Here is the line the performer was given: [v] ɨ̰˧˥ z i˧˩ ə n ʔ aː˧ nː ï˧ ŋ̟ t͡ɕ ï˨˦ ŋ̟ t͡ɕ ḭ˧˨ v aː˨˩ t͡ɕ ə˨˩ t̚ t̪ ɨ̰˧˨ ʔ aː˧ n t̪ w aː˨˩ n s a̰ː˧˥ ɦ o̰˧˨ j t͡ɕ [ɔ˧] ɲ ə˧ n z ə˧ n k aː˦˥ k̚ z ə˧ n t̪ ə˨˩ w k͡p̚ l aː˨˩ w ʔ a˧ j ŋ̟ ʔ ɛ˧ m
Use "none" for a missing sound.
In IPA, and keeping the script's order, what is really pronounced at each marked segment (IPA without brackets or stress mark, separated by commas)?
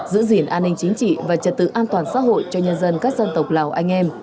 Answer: z, ɔ˧